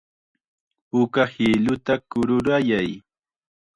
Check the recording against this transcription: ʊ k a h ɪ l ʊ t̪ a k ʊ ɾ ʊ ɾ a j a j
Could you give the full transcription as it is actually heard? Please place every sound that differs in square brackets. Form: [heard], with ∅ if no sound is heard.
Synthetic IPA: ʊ k a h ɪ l ʊ t̪ a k ʊ ɾ ʊ ɾ a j a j